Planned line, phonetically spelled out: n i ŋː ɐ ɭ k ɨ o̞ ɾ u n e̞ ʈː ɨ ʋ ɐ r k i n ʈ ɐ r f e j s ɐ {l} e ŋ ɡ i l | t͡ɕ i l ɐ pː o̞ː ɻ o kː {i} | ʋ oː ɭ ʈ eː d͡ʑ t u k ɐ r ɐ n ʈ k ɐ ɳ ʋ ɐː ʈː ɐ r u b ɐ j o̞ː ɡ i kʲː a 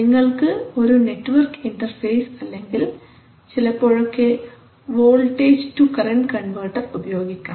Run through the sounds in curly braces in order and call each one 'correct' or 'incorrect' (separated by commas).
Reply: incorrect, incorrect